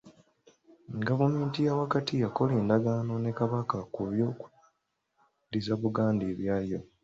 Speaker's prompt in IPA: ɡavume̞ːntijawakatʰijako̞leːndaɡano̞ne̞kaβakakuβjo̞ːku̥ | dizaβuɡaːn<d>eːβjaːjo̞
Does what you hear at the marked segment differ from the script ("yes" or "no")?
no